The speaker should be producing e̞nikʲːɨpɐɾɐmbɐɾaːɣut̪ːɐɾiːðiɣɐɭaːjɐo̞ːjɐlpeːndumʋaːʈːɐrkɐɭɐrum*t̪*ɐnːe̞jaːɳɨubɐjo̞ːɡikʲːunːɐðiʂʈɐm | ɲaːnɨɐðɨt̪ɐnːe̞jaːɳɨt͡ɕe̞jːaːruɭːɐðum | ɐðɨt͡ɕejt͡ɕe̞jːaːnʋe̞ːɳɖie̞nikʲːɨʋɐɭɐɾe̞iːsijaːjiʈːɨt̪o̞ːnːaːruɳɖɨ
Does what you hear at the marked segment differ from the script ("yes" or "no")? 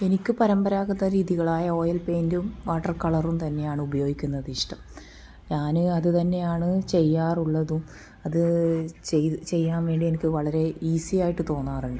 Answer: no